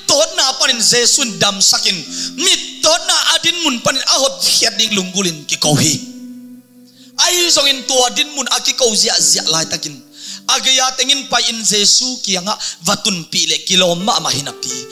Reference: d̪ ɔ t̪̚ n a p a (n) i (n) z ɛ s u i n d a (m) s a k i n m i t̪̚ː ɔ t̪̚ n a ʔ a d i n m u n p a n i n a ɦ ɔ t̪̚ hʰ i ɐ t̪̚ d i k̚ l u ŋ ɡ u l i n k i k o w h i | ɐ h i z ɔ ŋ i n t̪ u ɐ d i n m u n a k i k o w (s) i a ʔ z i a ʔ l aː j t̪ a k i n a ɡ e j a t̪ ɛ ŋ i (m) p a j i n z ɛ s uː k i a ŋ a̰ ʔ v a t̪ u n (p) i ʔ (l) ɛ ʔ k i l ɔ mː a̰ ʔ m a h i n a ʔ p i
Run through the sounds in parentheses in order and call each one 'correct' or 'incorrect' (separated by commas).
correct, correct, correct, incorrect, incorrect, correct, correct